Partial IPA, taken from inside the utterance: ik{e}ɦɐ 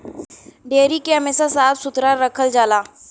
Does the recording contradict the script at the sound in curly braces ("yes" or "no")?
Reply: no